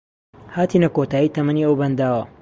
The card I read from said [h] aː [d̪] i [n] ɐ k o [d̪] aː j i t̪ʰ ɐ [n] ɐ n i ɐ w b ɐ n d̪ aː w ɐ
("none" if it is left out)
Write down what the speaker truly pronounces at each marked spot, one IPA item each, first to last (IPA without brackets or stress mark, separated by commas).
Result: h, t̪, n, t̪, m